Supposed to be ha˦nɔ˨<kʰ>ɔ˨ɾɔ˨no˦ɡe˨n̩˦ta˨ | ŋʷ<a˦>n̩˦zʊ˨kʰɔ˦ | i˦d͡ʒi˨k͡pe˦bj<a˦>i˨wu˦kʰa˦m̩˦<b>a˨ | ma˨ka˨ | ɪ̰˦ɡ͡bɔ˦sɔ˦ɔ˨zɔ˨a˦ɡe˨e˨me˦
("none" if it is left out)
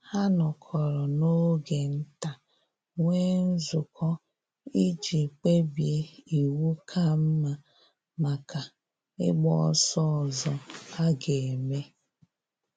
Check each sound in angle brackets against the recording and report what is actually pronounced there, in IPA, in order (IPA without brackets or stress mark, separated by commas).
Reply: kʰ, e˦, e˦, m